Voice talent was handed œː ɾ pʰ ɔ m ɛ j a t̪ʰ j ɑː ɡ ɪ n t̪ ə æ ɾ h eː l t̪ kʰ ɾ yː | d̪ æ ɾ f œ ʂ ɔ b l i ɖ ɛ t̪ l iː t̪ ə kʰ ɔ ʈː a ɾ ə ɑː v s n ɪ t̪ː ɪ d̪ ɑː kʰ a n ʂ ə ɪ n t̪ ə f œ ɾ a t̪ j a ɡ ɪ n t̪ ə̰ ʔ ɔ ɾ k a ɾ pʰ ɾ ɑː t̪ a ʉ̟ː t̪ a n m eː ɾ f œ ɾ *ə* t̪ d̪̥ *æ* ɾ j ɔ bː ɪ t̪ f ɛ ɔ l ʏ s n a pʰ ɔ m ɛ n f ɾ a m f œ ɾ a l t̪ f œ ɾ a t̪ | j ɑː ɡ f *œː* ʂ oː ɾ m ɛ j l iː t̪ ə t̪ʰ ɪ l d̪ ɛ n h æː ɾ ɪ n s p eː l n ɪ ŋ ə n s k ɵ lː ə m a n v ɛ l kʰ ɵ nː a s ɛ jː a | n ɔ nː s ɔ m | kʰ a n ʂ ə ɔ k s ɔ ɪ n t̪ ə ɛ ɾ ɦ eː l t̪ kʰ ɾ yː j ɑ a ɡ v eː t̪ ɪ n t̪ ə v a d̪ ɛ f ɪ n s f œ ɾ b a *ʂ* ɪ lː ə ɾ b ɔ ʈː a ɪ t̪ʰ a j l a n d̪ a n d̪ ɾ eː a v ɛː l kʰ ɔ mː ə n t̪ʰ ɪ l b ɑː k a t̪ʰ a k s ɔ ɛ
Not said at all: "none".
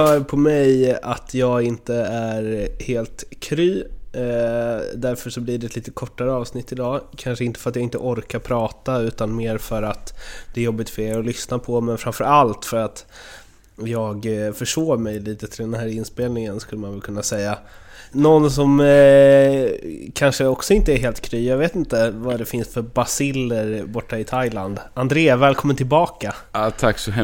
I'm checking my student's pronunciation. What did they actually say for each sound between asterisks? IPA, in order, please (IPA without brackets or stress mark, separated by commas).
a, ɛ, œ, s